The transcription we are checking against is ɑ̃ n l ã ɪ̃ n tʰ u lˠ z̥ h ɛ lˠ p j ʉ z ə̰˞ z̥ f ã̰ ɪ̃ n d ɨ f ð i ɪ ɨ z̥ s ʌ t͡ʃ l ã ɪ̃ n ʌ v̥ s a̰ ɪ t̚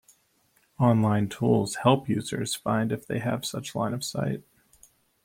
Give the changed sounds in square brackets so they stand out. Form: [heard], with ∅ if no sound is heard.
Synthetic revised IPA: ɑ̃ n l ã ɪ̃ n tʰ u lˠ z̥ h ɛ lˠ p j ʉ z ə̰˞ z̥ f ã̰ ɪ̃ n d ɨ f ð [e] ɪ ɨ [v̥] s ʌ t͡ʃ l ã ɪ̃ n ʌ v̥ s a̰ ɪ t̚